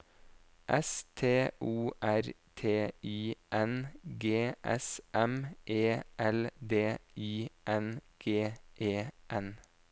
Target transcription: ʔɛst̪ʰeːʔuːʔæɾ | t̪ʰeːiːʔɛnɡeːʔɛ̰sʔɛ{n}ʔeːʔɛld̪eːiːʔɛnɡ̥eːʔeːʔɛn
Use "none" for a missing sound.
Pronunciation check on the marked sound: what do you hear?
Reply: m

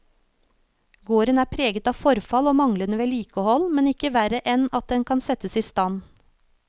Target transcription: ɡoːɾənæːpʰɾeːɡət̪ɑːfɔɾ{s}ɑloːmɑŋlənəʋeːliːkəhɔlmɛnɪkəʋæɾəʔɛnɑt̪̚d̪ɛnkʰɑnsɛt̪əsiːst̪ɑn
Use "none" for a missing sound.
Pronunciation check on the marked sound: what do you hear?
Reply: f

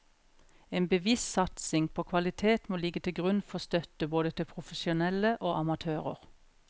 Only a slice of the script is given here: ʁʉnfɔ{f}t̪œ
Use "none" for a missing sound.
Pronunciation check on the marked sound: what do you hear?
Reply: s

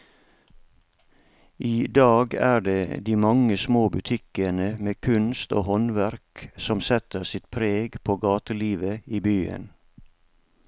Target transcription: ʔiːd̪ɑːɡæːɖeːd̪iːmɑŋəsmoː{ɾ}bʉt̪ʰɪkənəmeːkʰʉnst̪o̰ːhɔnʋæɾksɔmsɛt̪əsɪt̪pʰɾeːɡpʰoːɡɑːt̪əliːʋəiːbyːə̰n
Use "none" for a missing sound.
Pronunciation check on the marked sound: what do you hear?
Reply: none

